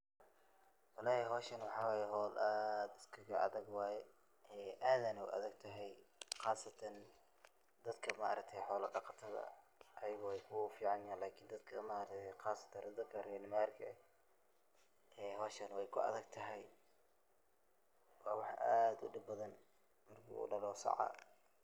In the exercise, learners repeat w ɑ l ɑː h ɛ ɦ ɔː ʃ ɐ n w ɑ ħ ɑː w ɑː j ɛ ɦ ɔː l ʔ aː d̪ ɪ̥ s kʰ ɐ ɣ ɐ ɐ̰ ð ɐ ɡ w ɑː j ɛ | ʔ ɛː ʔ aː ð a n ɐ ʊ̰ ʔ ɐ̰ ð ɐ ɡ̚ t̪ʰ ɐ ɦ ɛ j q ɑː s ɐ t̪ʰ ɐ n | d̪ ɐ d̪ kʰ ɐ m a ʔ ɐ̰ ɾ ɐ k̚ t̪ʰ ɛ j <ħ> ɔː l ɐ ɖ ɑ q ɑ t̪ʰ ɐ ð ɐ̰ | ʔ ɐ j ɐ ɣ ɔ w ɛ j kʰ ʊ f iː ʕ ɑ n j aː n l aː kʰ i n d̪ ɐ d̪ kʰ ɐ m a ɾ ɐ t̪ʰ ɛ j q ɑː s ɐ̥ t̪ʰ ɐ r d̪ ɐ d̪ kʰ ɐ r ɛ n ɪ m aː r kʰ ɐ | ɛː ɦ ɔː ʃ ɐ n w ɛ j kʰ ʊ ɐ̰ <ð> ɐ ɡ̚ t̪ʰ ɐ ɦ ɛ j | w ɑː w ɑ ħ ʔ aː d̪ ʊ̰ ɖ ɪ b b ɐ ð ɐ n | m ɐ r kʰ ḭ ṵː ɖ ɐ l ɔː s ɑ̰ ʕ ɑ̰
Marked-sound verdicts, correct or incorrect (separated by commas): correct, correct